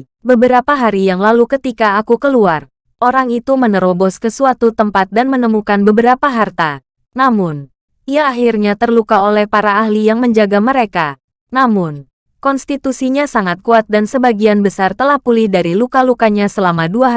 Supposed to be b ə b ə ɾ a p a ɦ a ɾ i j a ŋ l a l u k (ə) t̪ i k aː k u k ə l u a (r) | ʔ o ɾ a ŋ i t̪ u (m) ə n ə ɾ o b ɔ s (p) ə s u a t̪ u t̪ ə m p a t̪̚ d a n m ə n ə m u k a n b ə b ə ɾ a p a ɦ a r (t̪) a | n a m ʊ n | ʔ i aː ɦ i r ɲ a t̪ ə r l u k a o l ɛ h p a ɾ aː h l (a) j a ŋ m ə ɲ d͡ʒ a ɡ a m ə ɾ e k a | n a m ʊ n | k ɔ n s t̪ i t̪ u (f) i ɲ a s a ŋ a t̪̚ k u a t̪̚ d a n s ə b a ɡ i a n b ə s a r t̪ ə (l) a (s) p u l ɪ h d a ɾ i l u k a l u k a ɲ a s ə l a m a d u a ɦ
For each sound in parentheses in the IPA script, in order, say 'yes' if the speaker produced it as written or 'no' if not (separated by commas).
yes, yes, yes, no, yes, no, no, yes, no